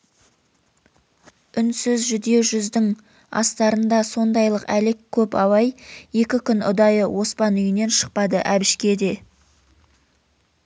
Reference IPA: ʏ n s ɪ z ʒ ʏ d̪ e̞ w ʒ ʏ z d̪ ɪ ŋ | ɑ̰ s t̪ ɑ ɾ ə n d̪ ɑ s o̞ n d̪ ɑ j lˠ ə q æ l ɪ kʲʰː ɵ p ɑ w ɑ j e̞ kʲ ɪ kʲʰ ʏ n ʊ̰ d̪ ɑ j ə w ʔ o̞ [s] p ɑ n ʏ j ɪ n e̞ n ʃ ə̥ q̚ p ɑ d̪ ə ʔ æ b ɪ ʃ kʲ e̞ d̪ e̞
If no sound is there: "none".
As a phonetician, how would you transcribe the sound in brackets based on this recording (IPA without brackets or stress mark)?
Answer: s